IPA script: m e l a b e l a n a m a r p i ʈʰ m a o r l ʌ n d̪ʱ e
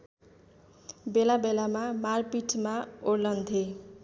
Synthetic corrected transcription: b e l a b e l a m a m a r p i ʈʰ m a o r l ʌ n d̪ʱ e